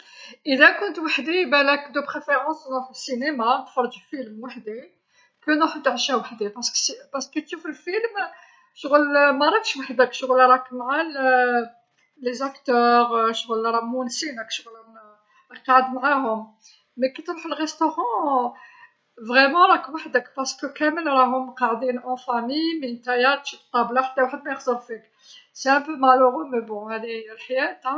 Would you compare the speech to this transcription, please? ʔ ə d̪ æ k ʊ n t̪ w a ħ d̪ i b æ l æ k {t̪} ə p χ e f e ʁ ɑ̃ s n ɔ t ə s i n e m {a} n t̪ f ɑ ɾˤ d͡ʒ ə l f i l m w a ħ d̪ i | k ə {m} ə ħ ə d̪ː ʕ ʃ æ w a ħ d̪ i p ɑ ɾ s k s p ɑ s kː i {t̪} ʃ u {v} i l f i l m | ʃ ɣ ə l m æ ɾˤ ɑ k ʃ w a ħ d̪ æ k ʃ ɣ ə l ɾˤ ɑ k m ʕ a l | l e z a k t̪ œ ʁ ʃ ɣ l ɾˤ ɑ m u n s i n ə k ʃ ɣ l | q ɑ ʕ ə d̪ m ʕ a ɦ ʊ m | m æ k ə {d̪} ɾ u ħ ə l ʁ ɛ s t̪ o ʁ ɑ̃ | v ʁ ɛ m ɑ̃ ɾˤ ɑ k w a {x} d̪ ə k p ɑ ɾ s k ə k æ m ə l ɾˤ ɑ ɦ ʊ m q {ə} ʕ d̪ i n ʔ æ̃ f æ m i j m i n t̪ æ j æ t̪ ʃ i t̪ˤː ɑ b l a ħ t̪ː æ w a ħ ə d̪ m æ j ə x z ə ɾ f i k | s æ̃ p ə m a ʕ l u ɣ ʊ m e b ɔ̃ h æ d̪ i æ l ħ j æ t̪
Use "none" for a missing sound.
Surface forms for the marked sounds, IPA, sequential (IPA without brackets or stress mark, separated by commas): d̪, a, n, t̪, f, t̪, ħ, ɑ